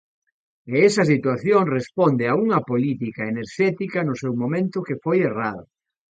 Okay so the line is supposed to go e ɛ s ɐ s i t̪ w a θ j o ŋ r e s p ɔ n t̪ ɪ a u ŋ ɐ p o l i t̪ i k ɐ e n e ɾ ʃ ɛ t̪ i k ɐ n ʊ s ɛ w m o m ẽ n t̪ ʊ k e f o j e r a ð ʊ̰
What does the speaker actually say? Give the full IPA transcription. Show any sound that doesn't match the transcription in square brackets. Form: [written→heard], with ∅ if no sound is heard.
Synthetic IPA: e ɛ s ɐ s i t̪ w a θ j o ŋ r e s p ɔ n [t̪→d̪] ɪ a u ŋ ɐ p o l i t̪ i k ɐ e n e ɾ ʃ ɛ t̪ i k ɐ n ʊ s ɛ w m o m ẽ n t̪ ʊ k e f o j e r a ð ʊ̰